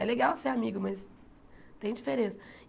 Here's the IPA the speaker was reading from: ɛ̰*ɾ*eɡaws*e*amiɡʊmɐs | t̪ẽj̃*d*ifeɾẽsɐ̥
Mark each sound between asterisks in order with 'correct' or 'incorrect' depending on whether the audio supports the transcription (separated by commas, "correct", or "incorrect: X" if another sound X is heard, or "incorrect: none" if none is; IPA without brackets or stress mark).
incorrect: l, correct, incorrect: d͡ʒ